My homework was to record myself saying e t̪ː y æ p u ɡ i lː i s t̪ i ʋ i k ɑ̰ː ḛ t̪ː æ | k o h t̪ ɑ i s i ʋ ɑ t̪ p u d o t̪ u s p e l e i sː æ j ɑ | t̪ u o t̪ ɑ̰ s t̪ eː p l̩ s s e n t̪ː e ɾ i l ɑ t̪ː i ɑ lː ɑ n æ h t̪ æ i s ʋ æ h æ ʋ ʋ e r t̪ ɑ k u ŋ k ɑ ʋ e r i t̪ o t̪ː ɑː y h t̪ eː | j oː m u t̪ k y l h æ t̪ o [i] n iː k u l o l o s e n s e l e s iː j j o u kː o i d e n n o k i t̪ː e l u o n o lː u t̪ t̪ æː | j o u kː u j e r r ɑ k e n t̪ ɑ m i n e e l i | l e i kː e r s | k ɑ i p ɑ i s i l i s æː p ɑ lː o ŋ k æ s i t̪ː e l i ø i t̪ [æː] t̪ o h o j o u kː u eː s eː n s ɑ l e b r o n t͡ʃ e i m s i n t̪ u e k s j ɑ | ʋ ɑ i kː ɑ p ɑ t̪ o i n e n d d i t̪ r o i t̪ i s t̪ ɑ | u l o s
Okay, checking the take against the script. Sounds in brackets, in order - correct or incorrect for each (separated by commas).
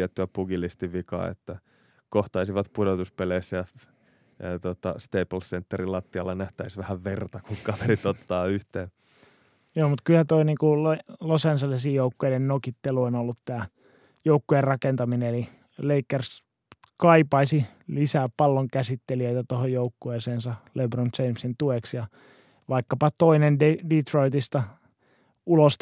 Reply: correct, incorrect